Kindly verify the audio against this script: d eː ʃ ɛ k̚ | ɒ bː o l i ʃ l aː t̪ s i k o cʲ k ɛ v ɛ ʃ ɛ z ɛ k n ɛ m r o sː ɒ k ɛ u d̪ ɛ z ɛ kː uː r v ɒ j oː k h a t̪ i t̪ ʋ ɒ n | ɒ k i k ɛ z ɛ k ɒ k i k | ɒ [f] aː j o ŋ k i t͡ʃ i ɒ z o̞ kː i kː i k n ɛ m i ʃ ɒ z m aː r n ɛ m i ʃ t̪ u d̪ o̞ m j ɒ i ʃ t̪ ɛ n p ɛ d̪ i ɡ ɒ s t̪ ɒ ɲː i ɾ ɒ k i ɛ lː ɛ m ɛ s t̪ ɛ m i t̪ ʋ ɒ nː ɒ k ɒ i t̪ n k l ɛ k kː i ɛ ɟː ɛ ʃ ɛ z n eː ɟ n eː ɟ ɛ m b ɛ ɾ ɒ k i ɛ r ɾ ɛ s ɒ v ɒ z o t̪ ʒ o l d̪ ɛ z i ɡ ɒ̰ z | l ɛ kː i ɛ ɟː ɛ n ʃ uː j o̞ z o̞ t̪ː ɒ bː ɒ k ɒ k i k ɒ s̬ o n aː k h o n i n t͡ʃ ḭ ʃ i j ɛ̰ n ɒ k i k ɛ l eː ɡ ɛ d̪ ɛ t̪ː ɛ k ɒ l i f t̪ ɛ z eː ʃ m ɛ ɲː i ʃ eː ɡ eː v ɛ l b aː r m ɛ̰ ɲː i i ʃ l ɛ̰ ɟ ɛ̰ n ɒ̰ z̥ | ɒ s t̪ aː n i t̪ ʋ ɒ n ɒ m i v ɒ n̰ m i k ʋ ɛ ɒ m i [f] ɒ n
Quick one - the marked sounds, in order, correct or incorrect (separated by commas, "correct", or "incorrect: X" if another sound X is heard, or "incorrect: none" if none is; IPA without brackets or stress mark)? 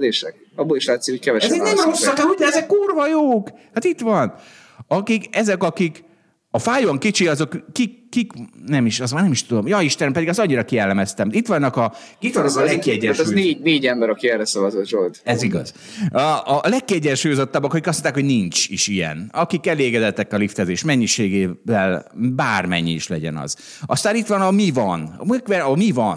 correct, incorrect: v